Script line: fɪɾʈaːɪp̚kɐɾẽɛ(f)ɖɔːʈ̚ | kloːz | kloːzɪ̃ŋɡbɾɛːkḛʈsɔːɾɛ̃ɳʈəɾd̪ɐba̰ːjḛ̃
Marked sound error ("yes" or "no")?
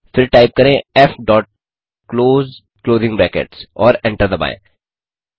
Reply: no